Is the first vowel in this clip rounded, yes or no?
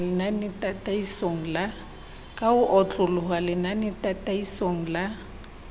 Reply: no